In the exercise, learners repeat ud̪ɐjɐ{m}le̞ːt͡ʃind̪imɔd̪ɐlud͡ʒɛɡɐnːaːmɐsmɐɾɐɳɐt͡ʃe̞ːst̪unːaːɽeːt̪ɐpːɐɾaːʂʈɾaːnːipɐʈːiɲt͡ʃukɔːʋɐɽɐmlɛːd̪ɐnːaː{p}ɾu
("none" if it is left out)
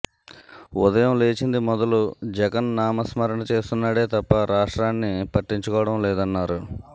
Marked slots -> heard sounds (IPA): m, none

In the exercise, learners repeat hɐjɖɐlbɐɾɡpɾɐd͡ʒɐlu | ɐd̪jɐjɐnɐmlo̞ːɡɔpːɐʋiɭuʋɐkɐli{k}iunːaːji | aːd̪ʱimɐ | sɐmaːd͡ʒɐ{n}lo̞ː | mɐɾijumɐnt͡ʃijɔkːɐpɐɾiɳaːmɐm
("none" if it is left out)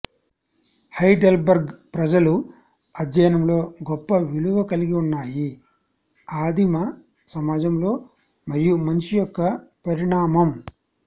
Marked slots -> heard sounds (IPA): ɡ, m

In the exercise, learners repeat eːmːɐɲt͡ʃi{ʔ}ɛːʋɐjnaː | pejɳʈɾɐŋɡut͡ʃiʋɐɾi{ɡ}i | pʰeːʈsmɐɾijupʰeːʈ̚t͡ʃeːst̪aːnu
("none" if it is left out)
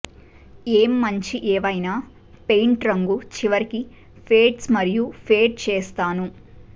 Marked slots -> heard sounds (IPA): ʔ, k

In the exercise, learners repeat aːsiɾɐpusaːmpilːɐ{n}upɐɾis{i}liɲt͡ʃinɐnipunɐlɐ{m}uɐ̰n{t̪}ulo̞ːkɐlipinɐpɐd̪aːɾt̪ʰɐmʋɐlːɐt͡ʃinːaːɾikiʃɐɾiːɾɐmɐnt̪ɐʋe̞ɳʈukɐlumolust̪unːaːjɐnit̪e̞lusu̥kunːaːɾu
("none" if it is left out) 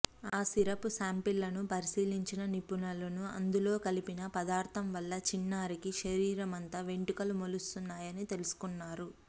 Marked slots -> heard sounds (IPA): n, iː, n, d̪

